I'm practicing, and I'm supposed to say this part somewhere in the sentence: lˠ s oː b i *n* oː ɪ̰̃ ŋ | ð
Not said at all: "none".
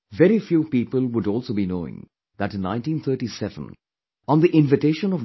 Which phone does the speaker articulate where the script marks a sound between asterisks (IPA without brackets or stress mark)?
n